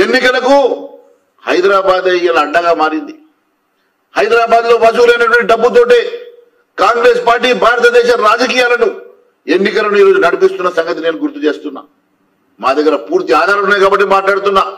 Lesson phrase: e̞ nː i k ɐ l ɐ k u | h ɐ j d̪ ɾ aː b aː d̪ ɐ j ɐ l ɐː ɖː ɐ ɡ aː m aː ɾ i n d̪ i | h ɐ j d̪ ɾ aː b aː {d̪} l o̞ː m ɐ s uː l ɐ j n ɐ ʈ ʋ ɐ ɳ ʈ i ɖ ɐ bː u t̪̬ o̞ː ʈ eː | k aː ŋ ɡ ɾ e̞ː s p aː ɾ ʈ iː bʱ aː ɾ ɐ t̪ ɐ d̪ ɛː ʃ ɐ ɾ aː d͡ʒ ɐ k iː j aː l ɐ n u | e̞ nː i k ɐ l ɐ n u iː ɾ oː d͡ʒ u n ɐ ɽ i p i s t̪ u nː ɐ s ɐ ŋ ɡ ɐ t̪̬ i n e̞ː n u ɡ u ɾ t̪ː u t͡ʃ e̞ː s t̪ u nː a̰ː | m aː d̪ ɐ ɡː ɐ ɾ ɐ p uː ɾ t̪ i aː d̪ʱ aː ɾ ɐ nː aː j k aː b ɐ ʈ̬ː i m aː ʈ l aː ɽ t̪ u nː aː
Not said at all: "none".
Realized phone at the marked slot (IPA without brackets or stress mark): d̪